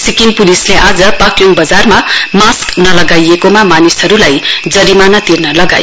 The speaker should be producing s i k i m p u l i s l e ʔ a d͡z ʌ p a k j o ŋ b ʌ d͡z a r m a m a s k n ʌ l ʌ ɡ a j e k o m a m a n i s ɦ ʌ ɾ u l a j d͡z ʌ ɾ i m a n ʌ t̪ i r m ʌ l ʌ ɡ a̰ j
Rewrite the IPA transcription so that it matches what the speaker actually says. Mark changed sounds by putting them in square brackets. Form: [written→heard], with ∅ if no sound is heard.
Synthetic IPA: s i k i [m→n] p u l i s l e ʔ a d͡z ʌ p a k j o ŋ b ʌ d͡z a r m a m a s k n ʌ l ʌ ɡ a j e k o m a m a n i s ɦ ʌ ɾ u l a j d͡z ʌ ɾ i m a n ʌ t̪ i r [m→n] ʌ l ʌ ɡ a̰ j